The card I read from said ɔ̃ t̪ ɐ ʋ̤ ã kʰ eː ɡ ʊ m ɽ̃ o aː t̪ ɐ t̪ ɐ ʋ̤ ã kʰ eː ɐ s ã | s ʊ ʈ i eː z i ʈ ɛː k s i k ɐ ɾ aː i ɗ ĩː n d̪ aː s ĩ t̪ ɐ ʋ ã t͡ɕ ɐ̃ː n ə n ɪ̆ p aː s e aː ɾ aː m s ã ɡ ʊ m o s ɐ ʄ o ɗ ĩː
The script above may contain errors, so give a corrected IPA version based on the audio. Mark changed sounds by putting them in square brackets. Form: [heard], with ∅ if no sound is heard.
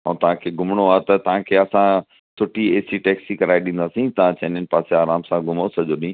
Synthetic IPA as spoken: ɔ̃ t̪ ɐ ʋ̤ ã kʰ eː ɡ ʊ m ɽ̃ o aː t̪ ɐ t̪ ɐ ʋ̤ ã kʰ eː ɐ s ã | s ʊ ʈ i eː [s] i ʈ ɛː k s i k ɐ ɾ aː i ɗ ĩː n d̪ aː s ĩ t̪ ɐ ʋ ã t͡ɕ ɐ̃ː n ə n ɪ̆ p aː s e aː ɾ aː m s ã ɡ ʊ m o s ɐ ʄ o ɗ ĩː

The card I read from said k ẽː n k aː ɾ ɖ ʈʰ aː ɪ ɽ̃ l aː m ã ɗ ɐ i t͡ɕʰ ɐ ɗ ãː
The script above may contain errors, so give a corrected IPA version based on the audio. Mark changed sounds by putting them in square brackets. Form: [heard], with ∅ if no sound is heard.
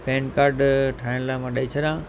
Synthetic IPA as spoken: [p] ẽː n k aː ɾ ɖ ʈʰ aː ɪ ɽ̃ l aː m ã ɗ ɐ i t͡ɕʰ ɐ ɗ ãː

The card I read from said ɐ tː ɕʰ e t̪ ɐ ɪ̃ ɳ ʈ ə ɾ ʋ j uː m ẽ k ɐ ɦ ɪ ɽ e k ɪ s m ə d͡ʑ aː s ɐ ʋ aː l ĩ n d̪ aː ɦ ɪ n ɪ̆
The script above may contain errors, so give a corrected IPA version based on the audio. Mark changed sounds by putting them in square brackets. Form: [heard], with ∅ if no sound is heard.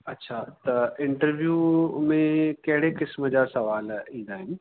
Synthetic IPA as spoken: ɐ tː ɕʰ [a] t̪ ɐ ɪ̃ ɳ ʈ ə ɾ ʋ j uː m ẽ k ɐ ɦ ɪ ɽ e k ɪ s m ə d͡ʑ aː s ɐ ʋ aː l ĩ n d̪ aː ɦ ɪ n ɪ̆

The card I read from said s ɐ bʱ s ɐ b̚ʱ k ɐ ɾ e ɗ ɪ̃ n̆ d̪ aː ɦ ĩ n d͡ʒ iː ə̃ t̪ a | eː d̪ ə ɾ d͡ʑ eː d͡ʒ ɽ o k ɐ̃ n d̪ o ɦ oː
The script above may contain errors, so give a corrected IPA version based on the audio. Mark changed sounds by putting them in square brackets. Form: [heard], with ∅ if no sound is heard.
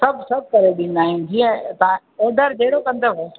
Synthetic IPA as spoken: s ɐ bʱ s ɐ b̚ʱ k ɐ ɾ e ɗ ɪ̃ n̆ d̪ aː ɦ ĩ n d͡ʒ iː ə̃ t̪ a | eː d̪ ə ɾ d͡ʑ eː [∅] ɽ o k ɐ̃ n d̪ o ɦ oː

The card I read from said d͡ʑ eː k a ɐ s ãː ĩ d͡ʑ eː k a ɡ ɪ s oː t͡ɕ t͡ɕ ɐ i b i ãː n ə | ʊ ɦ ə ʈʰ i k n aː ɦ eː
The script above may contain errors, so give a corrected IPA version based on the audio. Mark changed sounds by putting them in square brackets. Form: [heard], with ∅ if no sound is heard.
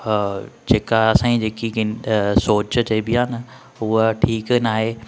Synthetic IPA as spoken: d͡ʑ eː k a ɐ s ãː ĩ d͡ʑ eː k [i] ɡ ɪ s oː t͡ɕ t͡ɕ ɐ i b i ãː n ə | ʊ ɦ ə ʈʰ [iː] k n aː ɦ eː

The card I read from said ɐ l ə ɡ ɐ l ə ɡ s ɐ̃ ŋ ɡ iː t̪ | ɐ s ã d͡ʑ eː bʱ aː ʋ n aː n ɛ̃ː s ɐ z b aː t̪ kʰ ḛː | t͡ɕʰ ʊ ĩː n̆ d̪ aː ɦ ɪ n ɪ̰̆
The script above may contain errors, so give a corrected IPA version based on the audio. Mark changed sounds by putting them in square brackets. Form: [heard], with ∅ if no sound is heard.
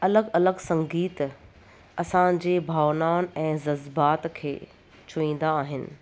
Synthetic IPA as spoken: ɐ l ə ɡ ɐ l ə ɡ s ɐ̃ ŋ ɡ iː t̪ | ɐ s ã d͡ʑ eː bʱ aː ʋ n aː n ɛ̃ː [z] ɐ z b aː t̪ kʰ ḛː | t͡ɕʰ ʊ ĩː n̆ d̪ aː ɦ ɪ n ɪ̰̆

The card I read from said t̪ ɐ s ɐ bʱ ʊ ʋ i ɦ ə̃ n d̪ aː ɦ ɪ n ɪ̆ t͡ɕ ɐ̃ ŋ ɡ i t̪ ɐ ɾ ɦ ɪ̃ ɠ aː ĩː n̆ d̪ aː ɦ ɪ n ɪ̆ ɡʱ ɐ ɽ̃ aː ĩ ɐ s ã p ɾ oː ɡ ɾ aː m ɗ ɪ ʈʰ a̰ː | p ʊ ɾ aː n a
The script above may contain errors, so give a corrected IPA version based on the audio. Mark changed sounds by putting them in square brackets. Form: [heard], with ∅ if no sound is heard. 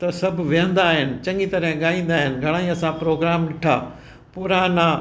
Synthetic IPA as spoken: t̪ ɐ s ɐ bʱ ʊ ʋ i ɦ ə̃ n d̪ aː ɦ ɪ n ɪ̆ t͡ɕ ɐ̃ ŋ ɡ i t̪ ɐ ɾ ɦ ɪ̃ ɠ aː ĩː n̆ d̪ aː ɦ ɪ n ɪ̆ ɡʱ ɐ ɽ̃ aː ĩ ɐ s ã p ɾ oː ɡ ɾ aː m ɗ ɪ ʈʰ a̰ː | p ʊ ɾ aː n a

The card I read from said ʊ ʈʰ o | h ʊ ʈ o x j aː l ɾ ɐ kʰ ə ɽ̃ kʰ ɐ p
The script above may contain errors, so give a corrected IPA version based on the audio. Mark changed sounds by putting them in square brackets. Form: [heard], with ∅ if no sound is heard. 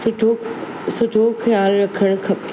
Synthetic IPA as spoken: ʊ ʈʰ o | [s] ʊ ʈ o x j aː l ɾ ɐ kʰ ə ɽ̃ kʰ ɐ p

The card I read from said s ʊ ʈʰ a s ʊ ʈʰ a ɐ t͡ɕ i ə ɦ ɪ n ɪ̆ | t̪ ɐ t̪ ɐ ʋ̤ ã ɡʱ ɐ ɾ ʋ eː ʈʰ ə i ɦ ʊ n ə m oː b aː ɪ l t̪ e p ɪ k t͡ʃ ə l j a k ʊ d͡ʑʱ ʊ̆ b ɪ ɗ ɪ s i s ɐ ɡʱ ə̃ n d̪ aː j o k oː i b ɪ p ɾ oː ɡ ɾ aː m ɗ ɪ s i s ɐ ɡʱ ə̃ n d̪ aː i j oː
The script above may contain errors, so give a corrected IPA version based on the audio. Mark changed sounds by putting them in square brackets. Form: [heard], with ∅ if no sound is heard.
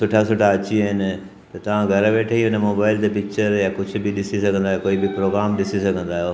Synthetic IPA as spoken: s ʊ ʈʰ a s ʊ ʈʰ a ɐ t͡ɕ i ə ɦ ɪ n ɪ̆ | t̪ ɐ t̪ ɐ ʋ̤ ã ɡʱ ɐ ɾ ʋ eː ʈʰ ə i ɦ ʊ n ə m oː b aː ɪ l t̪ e p ɪ k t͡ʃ ə [ɾ] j a k ʊ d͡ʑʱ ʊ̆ b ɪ ɗ ɪ s i s ɐ ɡʱ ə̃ n d̪ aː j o k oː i b ɪ p ɾ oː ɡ ɾ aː m ɗ ɪ s i s ɐ ɡʱ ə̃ n d̪ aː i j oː

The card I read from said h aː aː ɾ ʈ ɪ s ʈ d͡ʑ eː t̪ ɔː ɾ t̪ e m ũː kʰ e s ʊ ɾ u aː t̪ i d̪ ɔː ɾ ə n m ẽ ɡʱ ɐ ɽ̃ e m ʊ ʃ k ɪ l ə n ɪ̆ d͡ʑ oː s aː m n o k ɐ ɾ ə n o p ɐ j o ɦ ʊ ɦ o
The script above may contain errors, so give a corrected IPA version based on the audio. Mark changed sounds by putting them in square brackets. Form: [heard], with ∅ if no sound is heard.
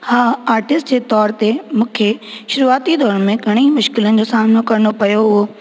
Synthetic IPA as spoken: h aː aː ɾ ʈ ɪ s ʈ d͡ʑ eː t̪ ɔː ɾ t̪ e m ũː kʰ e [ʃ] ʊ ɾ u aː t̪ i d̪ ɔː ɾ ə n m ẽ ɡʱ ɐ ɽ̃ [i] m ʊ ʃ k ɪ l ə n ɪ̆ d͡ʑ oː s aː m n o k ɐ ɾ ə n o p ɐ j o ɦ ʊ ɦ o

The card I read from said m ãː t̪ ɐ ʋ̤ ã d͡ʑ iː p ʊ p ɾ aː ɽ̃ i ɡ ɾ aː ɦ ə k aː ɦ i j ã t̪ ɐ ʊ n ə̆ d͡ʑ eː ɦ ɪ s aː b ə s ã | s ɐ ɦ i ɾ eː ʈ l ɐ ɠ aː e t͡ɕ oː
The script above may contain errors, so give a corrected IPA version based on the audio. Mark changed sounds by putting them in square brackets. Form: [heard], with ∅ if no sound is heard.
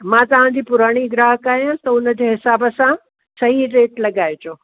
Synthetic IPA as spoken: m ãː t̪ ɐ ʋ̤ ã d͡ʑ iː p ʊ [∅] ɾ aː ɽ̃ i ɡ ɾ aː ɦ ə k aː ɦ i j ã t̪ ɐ ʊ n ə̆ d͡ʑ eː ɦ ɪ s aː b ə s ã | s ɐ ɦ i ɾ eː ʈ l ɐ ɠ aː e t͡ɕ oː

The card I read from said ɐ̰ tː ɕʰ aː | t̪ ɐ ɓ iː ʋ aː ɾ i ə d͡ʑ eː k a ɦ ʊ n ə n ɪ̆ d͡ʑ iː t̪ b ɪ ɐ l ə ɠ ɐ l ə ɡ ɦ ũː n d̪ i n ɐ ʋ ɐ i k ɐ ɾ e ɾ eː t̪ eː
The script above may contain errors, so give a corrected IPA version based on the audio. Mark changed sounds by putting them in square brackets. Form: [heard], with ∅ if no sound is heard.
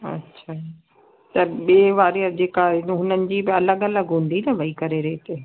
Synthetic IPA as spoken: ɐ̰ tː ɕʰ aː | t̪ ɐ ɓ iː ʋ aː ɾ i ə d͡ʑ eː k a ɦ ʊ n ə n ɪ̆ d͡ʑ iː [∅] b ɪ ɐ l ə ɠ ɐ l ə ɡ ɦ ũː n d̪ i n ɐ ʋ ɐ i k ɐ ɾ e ɾ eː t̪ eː

